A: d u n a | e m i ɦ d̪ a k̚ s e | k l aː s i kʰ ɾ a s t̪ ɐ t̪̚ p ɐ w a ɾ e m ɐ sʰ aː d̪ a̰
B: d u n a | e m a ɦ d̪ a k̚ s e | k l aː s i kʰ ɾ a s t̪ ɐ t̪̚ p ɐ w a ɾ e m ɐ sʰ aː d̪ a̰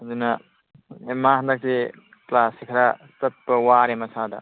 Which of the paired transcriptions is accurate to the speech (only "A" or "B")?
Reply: B